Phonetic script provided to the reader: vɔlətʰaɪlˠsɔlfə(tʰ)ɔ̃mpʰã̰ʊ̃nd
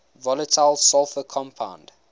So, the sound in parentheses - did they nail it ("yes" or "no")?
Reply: no